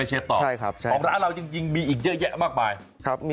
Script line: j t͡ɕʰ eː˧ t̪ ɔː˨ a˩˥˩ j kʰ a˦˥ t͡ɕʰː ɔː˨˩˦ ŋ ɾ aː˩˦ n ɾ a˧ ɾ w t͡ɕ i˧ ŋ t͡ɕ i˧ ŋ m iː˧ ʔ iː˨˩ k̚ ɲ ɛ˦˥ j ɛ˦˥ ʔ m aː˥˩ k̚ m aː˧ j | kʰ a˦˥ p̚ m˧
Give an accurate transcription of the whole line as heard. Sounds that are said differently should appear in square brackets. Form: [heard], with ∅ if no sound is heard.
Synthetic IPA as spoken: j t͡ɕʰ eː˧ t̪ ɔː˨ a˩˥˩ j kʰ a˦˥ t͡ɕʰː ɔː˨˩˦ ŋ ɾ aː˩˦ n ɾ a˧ [∅] w t͡ɕ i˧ ŋ t͡ɕ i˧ ŋ m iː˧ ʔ iː˨˩ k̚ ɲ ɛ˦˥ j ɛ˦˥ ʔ m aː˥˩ k̚ m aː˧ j | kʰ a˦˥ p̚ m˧